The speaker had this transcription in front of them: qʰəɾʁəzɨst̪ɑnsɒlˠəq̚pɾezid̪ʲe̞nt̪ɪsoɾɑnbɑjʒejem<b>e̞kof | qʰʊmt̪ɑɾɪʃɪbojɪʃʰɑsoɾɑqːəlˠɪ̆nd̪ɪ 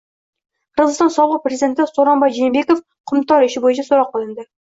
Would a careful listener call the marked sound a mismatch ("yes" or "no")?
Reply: no